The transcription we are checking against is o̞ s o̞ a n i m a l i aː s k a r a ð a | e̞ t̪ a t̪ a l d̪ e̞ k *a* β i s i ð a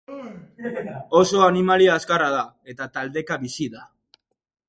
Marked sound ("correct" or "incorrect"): correct